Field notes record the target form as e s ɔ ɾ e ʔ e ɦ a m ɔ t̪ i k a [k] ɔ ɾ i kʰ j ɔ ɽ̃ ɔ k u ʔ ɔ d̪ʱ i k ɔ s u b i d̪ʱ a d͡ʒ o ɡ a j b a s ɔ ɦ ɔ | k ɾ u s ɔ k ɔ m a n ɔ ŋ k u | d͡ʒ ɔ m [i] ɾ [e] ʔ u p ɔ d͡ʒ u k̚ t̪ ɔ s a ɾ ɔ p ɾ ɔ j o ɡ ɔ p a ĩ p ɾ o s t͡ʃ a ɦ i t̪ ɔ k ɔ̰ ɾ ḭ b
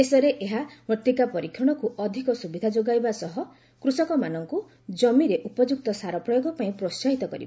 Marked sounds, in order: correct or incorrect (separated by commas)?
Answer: incorrect, correct, correct